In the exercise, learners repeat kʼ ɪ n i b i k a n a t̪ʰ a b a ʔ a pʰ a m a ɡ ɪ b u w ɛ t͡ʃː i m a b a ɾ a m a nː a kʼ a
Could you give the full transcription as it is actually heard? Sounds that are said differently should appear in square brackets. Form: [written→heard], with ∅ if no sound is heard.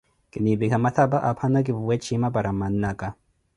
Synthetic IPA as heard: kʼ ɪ n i b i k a [n→m] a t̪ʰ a b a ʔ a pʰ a [m→n] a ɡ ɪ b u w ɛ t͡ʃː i m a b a ɾ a m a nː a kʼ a